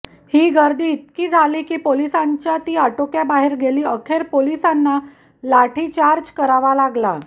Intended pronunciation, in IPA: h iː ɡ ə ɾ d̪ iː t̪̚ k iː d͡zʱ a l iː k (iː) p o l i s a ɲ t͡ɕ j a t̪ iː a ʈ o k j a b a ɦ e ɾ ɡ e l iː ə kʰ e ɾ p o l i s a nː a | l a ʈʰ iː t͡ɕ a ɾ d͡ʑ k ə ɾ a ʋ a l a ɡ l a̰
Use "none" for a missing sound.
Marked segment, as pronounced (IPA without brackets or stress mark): iː